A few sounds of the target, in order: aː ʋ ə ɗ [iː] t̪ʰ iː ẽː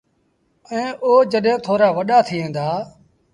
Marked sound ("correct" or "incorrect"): incorrect